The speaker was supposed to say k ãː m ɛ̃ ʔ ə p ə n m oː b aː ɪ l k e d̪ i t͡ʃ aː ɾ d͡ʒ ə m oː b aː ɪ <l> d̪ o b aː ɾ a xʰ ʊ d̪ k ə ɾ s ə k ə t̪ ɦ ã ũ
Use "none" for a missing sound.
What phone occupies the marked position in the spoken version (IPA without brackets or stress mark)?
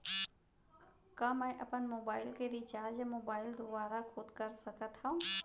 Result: l